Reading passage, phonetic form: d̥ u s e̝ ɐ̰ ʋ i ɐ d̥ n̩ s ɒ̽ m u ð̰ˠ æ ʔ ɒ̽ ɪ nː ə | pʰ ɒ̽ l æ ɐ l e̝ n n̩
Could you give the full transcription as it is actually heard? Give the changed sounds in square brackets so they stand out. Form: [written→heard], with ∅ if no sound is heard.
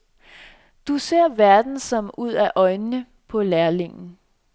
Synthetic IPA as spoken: d̥ u s e̝ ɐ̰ ʋ [i→æ] ɐ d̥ n̩ s ɒ̽ m u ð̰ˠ æ ʔ ɒ̽ ɪ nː ə | pʰ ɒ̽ l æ ɐ l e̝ [n→ŋ] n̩